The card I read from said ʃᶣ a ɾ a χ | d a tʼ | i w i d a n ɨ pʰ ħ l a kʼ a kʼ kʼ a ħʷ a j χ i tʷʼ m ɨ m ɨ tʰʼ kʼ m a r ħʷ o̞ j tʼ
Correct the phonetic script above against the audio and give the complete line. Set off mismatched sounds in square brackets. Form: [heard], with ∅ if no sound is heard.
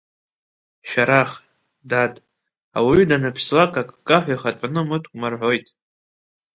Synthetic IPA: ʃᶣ a ɾ a χ | d a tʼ | [a] w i d a n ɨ pʰ [s] l a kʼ a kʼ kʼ a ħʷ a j χ [a] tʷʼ [n] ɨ m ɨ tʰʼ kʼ m a r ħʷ o̞ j tʼ